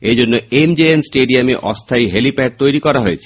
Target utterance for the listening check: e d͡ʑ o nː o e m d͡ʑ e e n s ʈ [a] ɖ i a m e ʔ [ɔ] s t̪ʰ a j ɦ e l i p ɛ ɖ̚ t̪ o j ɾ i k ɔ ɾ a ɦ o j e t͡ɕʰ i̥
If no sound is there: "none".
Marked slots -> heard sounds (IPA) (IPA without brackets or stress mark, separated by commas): e, ɔ